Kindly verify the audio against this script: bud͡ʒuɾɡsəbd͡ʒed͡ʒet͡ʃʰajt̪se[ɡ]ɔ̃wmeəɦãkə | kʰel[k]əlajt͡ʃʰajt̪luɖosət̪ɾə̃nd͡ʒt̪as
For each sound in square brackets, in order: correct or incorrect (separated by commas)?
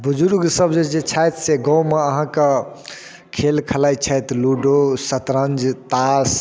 correct, incorrect